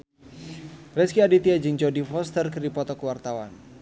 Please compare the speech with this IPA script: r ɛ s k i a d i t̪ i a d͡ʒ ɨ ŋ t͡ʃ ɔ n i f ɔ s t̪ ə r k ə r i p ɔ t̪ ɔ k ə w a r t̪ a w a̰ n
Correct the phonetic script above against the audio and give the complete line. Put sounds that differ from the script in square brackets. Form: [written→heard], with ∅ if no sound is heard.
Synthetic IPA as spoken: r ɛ s k i a d i t̪ i a d͡ʒ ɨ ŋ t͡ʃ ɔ [n→d] i f ɔ s t̪ ə r k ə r i p ɔ t̪ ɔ k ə w a r t̪ a w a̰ n